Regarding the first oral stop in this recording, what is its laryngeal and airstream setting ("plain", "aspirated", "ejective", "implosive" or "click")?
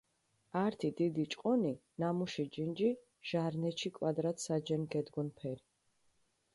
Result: aspirated